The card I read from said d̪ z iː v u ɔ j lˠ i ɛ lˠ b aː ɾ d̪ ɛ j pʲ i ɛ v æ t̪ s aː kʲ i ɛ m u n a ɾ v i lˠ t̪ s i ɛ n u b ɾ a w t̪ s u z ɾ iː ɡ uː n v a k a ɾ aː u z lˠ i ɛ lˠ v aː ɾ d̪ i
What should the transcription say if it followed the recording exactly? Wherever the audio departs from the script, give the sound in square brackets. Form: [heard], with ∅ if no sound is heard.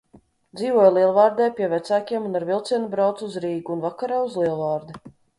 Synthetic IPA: d̪ z iː v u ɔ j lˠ i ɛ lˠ [v] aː ɾ d̪ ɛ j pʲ i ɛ v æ t̪ s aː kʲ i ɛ m u n a ɾ v i lˠ t̪ s i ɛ n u b ɾ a w t̪ s u z ɾ iː ɡ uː n v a k a ɾ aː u z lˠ i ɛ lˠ v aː ɾ d̪ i